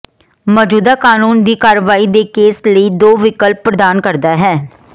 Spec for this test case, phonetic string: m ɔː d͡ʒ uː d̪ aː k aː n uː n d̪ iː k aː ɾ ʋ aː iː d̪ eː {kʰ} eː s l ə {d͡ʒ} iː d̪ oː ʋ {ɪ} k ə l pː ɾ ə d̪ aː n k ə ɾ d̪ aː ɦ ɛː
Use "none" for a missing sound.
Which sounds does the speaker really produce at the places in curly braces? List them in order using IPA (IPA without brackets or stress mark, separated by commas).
k, none, ɪ